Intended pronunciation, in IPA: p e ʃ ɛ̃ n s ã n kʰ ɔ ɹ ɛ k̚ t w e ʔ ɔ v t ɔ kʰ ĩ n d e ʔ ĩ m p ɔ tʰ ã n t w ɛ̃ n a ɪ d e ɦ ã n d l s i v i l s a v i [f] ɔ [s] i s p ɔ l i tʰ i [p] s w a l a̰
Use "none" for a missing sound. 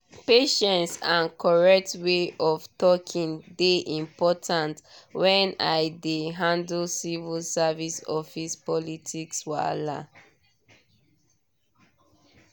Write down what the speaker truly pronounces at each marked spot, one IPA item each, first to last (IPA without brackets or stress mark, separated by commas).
s, f, k